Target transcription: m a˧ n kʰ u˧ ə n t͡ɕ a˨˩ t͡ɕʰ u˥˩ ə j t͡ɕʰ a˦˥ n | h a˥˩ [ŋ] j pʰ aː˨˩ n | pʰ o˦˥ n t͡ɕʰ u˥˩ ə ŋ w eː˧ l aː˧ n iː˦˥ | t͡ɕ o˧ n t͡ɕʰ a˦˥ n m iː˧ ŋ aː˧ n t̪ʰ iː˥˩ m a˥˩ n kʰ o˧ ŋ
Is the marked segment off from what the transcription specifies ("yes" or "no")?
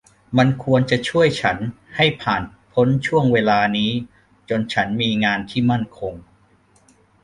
yes